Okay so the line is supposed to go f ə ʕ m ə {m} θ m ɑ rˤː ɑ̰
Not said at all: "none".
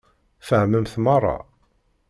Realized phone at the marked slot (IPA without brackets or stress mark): m